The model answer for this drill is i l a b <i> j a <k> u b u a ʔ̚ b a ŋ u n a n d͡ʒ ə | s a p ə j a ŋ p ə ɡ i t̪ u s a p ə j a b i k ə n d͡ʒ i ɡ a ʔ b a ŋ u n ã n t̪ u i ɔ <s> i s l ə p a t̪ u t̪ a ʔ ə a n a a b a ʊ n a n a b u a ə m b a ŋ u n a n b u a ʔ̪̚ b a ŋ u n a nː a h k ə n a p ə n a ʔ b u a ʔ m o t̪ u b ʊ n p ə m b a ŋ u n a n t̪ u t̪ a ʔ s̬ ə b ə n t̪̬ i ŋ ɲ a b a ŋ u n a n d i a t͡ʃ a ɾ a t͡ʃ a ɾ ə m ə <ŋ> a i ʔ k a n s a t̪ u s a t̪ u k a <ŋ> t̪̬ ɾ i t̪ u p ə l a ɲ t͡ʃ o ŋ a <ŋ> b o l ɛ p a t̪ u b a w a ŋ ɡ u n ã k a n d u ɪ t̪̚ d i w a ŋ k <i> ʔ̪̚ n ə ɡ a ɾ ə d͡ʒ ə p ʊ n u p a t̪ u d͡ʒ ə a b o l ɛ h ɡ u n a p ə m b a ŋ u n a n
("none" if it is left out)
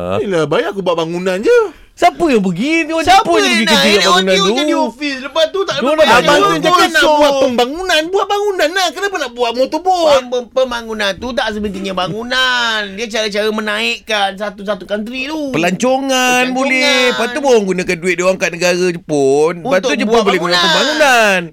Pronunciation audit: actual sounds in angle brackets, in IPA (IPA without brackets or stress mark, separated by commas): a, k, f, n, n, n, a